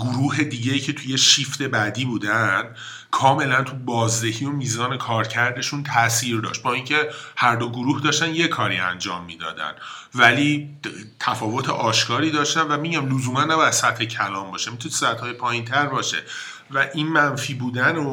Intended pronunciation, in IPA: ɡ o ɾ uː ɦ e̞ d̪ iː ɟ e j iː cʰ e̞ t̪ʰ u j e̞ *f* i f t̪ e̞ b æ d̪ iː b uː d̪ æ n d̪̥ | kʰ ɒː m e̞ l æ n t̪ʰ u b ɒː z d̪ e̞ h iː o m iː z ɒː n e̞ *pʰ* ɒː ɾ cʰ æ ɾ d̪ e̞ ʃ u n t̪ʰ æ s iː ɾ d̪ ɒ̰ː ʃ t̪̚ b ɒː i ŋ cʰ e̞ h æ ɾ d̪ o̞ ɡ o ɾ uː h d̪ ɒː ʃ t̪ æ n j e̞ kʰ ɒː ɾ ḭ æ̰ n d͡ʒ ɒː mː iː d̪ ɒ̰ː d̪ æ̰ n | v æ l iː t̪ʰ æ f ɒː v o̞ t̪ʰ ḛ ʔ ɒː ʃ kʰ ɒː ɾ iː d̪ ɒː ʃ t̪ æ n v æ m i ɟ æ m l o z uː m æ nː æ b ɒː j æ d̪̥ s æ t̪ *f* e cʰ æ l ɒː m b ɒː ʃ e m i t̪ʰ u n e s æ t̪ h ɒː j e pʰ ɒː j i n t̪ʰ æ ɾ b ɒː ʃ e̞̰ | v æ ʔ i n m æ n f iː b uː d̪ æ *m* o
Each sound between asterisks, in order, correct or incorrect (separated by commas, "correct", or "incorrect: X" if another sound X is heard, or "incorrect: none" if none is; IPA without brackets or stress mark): incorrect: ʃ, incorrect: kʰ, incorrect: h, incorrect: n